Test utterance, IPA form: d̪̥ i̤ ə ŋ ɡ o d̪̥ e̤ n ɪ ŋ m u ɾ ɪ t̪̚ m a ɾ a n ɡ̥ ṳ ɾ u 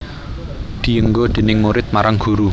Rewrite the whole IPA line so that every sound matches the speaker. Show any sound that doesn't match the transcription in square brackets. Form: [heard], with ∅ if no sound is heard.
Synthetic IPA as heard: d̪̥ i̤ ə ŋ ɡ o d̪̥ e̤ n ɪ ŋ m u ɾ ɪ t̪̚ m a ɾ a [ŋ] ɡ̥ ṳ ɾ u